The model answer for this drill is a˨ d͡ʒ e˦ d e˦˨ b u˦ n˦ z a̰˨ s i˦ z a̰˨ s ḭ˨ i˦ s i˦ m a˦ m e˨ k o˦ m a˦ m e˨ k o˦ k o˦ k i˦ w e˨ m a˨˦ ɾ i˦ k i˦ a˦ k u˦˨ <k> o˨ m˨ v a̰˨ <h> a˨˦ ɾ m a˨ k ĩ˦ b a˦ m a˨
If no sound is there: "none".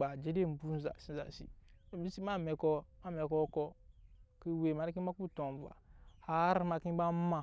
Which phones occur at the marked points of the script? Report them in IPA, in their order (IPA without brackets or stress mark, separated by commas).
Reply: t, h